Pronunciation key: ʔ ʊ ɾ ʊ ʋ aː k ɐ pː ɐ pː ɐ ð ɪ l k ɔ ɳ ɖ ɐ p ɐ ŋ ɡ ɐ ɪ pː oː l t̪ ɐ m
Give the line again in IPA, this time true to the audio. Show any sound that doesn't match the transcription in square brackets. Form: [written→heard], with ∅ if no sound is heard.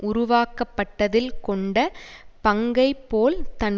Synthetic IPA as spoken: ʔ ʊ ɾ ʊ ʋ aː k ɐ pː ɐ [pː→ʈː] ɐ ð ɪ l k ɔ ɳ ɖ ɐ p ɐ ŋ ɡ ɐ ɪ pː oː l t̪ ɐ [m→n]